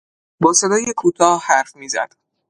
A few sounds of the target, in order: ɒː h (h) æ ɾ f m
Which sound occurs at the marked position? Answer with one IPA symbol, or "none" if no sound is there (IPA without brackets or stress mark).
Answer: h